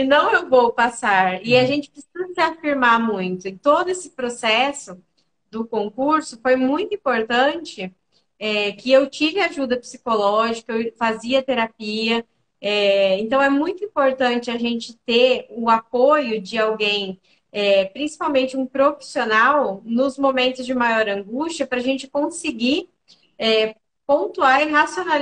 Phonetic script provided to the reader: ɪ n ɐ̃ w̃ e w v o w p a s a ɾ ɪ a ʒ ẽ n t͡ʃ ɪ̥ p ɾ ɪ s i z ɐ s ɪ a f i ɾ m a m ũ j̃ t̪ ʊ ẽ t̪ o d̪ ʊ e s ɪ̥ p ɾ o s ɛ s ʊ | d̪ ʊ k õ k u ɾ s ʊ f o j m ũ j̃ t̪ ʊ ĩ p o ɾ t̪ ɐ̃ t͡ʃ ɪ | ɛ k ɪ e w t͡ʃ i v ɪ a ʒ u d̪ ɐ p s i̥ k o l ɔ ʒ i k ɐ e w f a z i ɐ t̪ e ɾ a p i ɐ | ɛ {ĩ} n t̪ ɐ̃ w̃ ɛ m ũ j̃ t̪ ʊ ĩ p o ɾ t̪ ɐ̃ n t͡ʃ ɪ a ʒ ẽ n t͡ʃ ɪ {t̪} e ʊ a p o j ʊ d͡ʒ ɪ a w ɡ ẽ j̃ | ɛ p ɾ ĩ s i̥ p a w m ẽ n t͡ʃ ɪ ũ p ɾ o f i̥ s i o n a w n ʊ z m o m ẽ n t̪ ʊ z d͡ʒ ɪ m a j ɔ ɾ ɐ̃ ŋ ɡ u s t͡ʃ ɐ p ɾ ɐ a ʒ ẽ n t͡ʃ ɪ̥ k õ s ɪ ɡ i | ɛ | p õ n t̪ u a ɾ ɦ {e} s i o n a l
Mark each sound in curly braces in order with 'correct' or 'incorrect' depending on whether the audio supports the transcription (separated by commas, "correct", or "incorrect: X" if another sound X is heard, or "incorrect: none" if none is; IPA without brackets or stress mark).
incorrect: ẽ, correct, incorrect: a